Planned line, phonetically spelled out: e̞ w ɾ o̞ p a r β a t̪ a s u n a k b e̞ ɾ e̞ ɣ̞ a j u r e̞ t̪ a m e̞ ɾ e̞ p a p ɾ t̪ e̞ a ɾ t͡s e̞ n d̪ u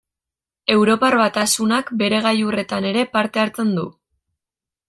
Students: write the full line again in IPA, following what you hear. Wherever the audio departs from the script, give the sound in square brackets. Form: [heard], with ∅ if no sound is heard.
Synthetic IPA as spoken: e̞ w ɾ o̞ p a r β a t̪ a s u n a k b e̞ ɾ e̞ ɣ̞ a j u r e̞ t̪ a [n] e̞ ɾ e̞ p a [∅] ɾ t̪ e̞ a ɾ t͡s e̞ n d̪ u